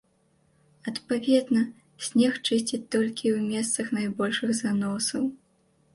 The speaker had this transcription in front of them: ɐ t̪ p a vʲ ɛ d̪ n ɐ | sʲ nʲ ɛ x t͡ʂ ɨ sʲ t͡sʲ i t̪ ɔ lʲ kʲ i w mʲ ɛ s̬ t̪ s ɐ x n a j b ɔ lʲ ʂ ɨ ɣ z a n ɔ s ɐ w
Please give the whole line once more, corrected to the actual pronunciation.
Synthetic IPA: ɐ t̪ p a vʲ ɛ d̪ n ɐ | sʲ nʲ ɛ x t͡ʂ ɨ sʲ t͡sʲ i t̪ ɔ lʲ kʲ i w mʲ ɛ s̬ t̪ s ɐ x n a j b ɔ lʲ ʂ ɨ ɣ z a n ɔ s ɐ w